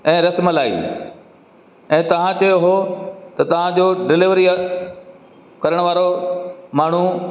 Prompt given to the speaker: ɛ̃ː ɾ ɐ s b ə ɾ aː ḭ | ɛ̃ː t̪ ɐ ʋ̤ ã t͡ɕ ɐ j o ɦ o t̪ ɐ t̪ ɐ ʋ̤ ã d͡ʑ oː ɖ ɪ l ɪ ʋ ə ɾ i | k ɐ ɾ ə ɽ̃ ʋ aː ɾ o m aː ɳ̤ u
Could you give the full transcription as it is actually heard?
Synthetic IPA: ɛ̃ː ɾ ɐ s m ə l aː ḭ | ɛ̃ː t̪ ɐ ʋ̤ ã t͡ɕ ɐ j o ɦ o t̪ ɐ t̪ ɐ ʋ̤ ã d͡ʑ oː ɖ ɪ l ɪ ʋ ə ɾ i | k ɐ ɾ ə ɽ̃ ʋ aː ɾ o m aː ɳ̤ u

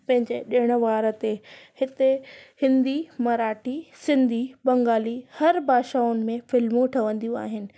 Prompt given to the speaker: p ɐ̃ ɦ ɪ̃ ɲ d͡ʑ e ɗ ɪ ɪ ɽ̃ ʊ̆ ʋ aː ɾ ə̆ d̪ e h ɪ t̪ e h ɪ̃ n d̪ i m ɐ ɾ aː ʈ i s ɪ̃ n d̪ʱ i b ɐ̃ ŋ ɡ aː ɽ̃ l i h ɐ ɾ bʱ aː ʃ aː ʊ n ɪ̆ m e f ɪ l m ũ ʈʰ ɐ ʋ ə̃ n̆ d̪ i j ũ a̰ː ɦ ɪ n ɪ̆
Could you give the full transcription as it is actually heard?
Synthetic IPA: p ɐ̃ ɦ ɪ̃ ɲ d͡ʑ e ɗ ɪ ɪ ɽ̃ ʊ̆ ʋ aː ɾ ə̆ t̪ e h ɪ t̪ e h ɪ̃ n d̪ i m ɐ ɾ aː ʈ i s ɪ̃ n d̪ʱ i b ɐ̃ ŋ ɡ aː l i h ɐ ɾ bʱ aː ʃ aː ʊ n ɪ̆ m ẽ f ɪ l m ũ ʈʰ ɐ ʋ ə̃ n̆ d̪ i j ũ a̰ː ɦ ɪ n ɪ̆

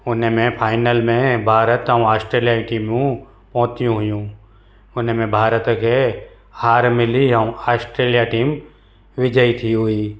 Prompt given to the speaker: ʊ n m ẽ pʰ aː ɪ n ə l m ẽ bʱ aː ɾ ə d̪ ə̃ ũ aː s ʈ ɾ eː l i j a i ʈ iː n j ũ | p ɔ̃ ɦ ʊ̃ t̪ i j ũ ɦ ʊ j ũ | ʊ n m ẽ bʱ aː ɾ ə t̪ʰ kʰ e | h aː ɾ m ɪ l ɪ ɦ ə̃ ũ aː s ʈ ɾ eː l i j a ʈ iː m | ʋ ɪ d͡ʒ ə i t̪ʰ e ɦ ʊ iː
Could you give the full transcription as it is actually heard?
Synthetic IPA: ʊ n m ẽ pʰ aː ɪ n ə l m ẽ bʱ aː ɾ ə t̪ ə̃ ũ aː s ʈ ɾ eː l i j a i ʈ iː m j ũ | p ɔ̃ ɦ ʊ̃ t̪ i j ũ ɦ ʊ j ũ | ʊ n m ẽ bʱ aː ɾ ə t̪ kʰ e | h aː ɾ m ɪ l i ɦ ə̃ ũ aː s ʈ ɾ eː l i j a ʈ iː m | ʋ ɪ d͡ʒ ə i t̪ʰ i ɦ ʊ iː

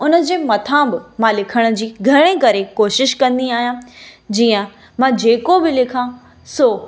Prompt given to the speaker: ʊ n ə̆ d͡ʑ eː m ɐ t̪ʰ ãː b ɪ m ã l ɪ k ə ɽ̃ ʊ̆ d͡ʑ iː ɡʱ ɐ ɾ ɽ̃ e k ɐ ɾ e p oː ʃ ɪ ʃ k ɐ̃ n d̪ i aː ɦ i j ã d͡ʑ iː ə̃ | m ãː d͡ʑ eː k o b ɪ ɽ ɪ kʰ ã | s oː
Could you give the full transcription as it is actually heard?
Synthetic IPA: ʊ n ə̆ d͡ʑ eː m ɐ t̪ʰ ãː b ɪ m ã l ɪ kʰ ə ɽ̃ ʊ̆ d͡ʑ iː ɡʱ ɐ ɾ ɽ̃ e k ɐ ɾ e k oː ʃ ɪ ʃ k ɐ̃ n d̪ i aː ɦ i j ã d͡ʑ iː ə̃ | m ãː d͡ʑ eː k o b ɪ l ɪ kʰ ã | s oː

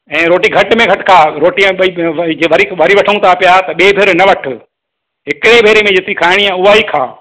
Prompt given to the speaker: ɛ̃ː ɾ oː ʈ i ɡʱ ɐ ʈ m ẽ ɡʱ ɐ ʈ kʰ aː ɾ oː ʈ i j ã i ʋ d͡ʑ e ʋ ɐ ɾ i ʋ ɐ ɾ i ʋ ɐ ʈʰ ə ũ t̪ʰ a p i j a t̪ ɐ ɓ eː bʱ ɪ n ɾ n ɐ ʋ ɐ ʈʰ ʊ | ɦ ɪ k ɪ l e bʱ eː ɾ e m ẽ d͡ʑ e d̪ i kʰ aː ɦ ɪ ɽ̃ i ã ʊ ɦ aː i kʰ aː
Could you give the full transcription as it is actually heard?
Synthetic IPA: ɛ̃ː ɾ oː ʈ i ɡʱ ɐ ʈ m ẽ ɡʱ ɐ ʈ kʰ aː ɾ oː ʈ i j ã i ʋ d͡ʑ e ʋ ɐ ɾ i ʋ ɐ ɾ i ʋ ɐ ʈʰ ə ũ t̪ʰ a p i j a t̪ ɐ ɓ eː bʱ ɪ ɾ n ɐ ʋ ɐ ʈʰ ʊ | ɦ ɪ k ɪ ɽ e bʱ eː ɾ e m ẽ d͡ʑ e t̪ i kʰ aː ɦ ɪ ɽ̃ i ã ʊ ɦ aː i kʰ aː

